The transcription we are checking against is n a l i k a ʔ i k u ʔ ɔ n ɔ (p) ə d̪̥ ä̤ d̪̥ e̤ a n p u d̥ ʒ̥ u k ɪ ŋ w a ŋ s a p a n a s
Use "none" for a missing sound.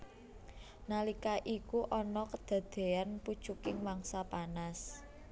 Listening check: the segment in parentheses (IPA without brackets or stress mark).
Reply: k